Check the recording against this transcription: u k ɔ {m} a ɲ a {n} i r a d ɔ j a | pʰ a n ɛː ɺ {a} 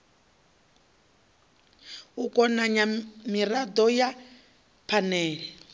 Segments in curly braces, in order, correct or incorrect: incorrect: n, incorrect: m, incorrect: ɛ

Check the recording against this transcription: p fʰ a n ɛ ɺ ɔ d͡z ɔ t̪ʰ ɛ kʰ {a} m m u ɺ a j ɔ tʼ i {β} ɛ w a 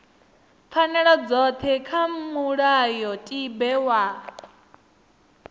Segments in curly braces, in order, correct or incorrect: correct, incorrect: b

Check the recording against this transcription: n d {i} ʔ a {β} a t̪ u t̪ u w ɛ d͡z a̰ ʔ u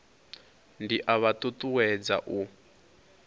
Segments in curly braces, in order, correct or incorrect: correct, correct

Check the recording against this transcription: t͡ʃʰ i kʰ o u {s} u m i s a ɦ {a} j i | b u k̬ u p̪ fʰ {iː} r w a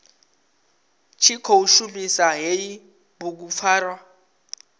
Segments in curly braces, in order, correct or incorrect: incorrect: ʃ, incorrect: e, incorrect: aː

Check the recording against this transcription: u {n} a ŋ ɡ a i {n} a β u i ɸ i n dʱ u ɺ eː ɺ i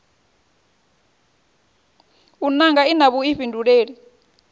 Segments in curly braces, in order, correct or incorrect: correct, correct

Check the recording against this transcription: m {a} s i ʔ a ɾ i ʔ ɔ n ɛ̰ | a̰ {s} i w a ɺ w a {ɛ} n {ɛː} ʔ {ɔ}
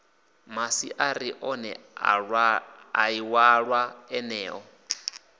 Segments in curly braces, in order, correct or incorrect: correct, incorrect: none, correct, correct, correct

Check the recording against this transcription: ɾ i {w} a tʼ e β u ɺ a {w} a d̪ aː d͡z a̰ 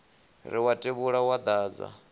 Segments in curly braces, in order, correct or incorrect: correct, correct

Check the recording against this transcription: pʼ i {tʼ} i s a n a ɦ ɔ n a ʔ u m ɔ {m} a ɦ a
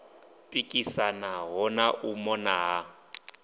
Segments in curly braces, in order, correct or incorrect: incorrect: kʼ, incorrect: n

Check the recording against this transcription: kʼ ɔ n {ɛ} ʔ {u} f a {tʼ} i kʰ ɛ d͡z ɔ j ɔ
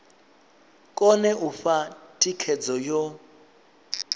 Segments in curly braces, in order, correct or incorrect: correct, correct, correct

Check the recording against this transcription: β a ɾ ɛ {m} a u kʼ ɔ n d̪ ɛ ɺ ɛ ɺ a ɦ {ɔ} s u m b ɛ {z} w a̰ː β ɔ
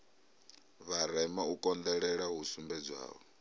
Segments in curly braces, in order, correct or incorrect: correct, incorrect: u, incorrect: d͡z

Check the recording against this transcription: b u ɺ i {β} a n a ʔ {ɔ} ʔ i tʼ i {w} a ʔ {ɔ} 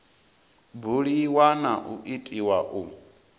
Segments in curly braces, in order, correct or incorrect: incorrect: w, incorrect: u, correct, incorrect: u

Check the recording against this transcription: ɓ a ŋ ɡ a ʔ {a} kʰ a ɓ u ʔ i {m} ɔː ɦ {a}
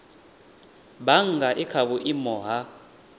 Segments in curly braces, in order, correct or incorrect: incorrect: i, correct, correct

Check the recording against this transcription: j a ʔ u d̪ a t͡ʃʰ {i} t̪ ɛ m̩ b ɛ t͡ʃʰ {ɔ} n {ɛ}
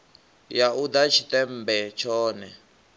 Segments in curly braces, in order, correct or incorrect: correct, incorrect: ɔː, correct

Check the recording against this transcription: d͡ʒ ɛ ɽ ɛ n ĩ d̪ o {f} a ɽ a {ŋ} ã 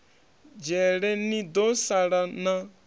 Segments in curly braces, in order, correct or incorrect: incorrect: s, incorrect: n

